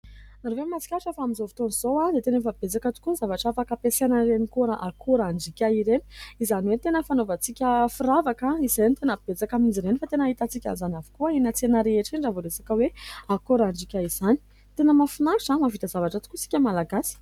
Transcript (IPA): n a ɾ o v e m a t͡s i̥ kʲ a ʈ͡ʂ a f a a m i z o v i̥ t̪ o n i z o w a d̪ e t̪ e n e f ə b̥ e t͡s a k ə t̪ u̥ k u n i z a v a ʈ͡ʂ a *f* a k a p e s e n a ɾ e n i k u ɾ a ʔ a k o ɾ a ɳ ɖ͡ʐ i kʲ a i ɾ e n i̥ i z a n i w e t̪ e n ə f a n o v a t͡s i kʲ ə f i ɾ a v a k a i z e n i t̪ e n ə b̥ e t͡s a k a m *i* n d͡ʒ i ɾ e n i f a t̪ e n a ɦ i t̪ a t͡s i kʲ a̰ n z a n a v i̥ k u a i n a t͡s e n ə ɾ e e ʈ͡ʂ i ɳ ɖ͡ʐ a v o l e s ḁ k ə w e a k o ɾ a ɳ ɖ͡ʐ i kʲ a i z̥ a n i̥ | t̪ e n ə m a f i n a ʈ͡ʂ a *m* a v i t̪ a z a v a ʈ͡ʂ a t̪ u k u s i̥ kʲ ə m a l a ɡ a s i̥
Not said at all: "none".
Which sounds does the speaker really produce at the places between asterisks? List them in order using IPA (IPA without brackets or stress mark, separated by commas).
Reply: f, i, m